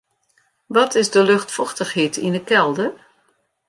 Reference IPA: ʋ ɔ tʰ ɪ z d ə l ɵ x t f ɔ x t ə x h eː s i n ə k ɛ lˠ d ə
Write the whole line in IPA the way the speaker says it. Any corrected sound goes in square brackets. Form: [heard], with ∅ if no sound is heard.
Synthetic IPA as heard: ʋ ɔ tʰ ɪ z d ə l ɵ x t f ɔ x t ə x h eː [t] i n ə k ɛ lˠ d ə